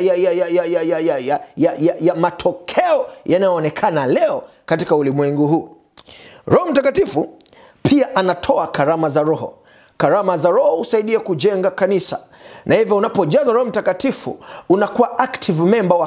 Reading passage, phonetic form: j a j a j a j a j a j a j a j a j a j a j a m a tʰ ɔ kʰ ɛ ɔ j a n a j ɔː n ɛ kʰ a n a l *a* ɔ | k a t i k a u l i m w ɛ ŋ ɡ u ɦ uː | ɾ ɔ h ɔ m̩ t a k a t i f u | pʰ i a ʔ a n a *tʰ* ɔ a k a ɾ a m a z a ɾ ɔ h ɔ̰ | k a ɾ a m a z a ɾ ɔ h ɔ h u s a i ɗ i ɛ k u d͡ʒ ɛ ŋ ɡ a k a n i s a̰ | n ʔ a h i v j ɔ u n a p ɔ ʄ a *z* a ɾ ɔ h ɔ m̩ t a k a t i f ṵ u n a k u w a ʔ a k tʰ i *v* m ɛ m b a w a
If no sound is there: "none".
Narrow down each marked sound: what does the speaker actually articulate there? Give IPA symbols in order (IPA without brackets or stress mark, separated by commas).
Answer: ɛ, tʰ, z, v